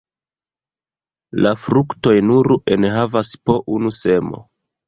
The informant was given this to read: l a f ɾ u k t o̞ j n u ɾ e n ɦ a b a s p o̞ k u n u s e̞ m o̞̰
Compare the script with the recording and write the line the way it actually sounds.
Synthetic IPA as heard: l a f ɾ u k t o̞ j n u ɾ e n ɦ a v a s p o̞ ʔ u n u s e̞ m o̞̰